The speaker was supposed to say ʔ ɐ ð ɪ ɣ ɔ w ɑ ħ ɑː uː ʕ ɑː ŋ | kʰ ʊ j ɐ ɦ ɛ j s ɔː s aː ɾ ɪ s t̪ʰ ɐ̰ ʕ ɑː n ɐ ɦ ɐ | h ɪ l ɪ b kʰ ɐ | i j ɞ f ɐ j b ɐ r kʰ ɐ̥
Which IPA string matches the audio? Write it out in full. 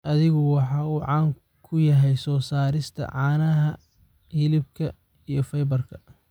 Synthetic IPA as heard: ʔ ɐ ð ɪ ɣ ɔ w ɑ ħ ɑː uː ʕ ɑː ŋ | kʰ ʊ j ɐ ɦ ɛ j s ɔː s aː ɾ ɪ s t̪ʰ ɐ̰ ʕ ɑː n ɐ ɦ ɐ | h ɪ l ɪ b kʰ ɐ | i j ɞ f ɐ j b ɐ r kʰ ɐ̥